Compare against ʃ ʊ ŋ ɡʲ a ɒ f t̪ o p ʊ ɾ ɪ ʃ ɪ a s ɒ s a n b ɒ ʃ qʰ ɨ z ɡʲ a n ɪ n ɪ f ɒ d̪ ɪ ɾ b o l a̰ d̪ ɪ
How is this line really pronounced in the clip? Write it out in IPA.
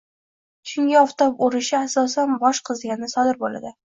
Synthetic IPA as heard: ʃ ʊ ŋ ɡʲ a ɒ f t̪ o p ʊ ɾ ɪ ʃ ɪ a s ɒ s a n b ɒ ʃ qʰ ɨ z ɡʲ a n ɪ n ɪ s ɒ d̪ ɪ ɾ b o l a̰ d̪ ɪ